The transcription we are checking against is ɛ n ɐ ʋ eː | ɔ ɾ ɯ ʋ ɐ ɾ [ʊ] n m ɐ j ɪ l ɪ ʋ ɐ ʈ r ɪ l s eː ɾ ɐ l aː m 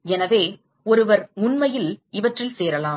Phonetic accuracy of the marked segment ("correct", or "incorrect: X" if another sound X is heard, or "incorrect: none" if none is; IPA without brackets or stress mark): correct